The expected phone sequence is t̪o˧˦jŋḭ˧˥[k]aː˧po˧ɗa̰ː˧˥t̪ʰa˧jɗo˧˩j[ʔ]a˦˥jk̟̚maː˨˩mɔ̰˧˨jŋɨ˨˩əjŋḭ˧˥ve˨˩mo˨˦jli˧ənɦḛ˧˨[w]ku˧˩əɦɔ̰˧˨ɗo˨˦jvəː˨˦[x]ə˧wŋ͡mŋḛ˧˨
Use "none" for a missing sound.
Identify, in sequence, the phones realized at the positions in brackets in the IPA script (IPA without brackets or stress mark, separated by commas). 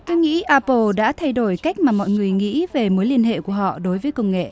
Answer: ʔ, k, none, k